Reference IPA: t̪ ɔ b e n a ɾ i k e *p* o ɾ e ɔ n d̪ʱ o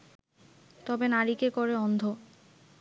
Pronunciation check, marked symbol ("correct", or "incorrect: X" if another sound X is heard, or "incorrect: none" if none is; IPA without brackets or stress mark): incorrect: k